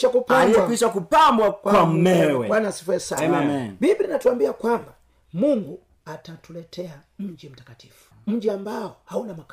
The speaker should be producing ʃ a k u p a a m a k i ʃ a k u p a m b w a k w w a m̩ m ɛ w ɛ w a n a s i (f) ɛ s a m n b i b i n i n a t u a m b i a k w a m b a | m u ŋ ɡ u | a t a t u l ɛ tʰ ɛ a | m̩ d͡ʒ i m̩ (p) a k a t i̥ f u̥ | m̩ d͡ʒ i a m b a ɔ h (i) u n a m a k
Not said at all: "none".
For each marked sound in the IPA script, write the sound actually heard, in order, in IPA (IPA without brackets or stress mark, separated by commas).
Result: f, t, a